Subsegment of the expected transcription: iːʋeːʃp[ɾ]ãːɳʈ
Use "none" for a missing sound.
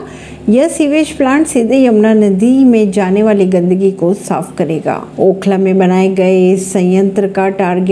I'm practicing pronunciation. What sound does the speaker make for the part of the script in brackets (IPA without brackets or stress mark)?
l